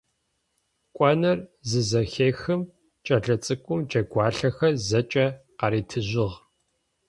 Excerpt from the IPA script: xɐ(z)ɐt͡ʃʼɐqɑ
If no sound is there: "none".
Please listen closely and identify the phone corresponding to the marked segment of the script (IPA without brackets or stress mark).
z